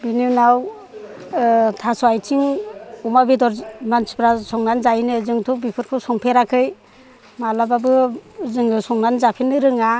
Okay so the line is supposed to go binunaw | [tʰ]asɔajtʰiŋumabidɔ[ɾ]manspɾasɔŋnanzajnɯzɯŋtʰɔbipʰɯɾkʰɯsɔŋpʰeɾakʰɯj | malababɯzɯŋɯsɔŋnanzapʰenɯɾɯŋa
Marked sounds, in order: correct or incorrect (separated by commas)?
correct, correct